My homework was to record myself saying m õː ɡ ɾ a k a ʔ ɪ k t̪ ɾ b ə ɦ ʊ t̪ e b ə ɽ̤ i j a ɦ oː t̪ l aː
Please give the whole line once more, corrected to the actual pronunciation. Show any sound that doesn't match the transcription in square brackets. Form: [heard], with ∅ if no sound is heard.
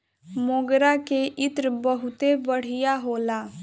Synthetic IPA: m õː ɡ ɾ a k [e] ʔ ɪ [∅] t̪ ɾ b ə ɦ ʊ t̪ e b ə ɽ̤ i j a ɦ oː [∅] l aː

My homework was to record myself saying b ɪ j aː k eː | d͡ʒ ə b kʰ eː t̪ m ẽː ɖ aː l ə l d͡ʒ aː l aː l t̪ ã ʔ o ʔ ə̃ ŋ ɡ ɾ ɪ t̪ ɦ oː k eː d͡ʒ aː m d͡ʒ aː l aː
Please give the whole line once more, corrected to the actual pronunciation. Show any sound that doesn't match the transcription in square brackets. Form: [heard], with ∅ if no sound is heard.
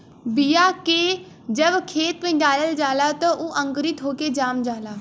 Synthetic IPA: b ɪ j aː k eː | d͡ʒ ə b kʰ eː t̪ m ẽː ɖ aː l ə l d͡ʒ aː l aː [∅] t̪ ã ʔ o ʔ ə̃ ŋ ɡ ɾ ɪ t̪ ɦ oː k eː d͡ʒ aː m d͡ʒ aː l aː

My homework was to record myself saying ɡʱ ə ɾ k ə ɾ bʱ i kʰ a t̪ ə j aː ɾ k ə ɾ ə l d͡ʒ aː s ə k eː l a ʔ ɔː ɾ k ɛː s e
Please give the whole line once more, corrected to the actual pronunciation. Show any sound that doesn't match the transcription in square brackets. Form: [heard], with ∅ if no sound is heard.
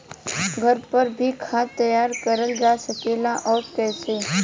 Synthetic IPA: ɡʱ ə ɾ [p] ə ɾ bʱ i kʰ a t̪ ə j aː ɾ k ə ɾ ə l d͡ʒ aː s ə k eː l a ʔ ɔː ɾ k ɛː s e

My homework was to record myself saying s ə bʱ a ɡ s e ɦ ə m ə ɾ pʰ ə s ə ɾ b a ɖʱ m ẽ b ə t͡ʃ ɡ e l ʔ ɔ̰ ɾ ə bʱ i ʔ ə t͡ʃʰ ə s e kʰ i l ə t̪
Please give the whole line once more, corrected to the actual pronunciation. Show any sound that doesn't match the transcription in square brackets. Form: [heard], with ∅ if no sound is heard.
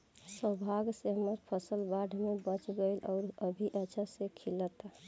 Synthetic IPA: s ə bʱ a ɡ s e ɦ ə m ə ɾ pʰ ə s ə [l] b a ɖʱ m [e] b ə t͡ʃ ɡ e l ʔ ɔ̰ ɾ ə bʱ i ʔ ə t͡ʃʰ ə s e kʰ i l ə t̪

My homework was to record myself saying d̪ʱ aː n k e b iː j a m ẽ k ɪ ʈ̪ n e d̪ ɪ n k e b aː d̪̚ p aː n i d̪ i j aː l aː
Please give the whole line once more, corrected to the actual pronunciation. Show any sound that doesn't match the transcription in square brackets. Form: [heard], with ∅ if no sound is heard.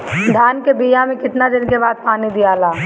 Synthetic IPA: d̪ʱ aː n k e b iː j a m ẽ k ɪ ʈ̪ n [a] d̪ ɪ n k e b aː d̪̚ p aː n i d̪ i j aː l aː

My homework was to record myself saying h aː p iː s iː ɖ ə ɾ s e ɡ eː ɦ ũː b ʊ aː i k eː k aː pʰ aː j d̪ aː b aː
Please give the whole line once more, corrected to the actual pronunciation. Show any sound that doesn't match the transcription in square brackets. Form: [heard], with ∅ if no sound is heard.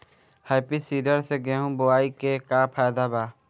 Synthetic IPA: h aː p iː s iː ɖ ə ɾ s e ɡ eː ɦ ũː b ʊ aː i k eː k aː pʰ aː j d̪ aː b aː

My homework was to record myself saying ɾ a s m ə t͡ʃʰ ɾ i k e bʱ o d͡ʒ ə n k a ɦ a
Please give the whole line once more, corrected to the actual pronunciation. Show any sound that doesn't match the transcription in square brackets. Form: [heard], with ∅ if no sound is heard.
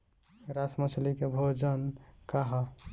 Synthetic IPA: ɾ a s m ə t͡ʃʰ [l] i k e bʱ o d͡ʒ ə n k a ɦ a

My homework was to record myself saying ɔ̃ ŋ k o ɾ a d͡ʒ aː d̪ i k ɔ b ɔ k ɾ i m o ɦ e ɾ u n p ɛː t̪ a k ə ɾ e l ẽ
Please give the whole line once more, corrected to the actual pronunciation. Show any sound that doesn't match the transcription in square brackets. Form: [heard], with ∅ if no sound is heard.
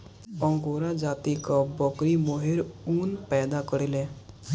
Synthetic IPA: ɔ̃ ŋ [ɡ] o ɾ a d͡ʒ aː [t̪] i k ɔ b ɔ k ɾ i m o ɦ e ɾ u n p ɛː [d̪] a k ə ɾ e l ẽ

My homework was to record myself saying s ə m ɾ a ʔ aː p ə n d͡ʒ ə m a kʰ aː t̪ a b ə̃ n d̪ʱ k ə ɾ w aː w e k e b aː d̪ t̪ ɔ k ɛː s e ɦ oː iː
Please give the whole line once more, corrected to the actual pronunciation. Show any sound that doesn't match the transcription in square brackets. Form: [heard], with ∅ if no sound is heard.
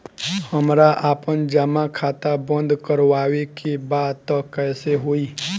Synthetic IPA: [h] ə m ɾ a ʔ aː p ə n d͡ʒ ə m a kʰ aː t̪ a b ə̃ n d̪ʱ k ə ɾ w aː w e k e b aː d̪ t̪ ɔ k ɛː s e ɦ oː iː

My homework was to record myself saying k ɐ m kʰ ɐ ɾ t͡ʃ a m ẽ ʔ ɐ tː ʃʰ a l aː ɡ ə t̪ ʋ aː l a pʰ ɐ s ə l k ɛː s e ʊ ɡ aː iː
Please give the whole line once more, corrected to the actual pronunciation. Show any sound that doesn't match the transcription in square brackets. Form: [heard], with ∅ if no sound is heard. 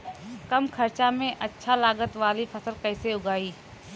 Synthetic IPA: k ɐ m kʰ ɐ ɾ t͡ʃ a m ẽ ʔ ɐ tː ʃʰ a l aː ɡ ə t̪ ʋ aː l [i] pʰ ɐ s ə l k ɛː s e ʊ ɡ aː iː

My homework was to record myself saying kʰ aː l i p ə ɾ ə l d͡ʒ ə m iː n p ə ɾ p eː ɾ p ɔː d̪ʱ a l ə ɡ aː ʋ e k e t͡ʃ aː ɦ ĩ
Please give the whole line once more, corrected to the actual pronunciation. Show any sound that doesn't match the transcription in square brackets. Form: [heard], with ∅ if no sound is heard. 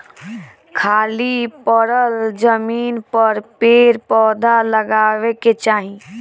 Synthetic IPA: kʰ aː l i p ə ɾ ə l d͡ʒ ə m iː n p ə ɾ p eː ɾ p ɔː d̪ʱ a l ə ɡ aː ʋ e k e t͡ʃ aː ɦ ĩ

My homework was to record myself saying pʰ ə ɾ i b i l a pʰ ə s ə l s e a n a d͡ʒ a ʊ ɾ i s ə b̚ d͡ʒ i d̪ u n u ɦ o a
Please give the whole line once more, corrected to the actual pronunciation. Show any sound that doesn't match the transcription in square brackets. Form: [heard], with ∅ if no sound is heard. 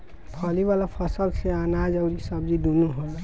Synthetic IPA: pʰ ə [l] i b [a] l a pʰ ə s ə l s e a n a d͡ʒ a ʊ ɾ i s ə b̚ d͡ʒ i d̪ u n u ɦ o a

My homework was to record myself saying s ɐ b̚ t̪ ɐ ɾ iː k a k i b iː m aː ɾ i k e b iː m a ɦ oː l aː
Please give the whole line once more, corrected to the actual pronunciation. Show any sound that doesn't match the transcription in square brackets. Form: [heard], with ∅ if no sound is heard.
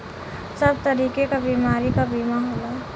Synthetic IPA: s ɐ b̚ t̪ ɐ ɾ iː k [e] k [a] b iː m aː ɾ i k [a] b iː m a ɦ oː l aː

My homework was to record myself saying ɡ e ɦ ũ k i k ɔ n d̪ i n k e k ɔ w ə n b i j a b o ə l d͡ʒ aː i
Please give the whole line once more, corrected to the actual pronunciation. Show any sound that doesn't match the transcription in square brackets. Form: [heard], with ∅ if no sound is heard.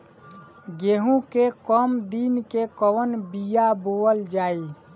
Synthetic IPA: ɡ e ɦ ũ k [e] k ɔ [m] d̪ i n k e k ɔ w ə n b i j a b o ə l d͡ʒ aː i

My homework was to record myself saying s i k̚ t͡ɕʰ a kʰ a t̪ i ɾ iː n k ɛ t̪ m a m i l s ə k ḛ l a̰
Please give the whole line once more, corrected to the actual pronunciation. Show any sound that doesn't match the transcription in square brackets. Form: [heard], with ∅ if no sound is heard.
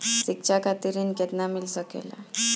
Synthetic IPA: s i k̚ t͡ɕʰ a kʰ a t̪ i ɾ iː n k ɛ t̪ [n] a m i l s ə k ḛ l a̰

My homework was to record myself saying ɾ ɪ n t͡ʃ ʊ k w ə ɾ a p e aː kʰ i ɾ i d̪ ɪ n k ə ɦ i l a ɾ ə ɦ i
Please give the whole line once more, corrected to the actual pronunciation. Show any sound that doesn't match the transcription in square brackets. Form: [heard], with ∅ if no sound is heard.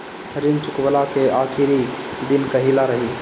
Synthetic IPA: ɾ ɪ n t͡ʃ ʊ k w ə [l] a [k] e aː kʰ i ɾ i d̪ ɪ n k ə ɦ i l a ɾ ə ɦ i

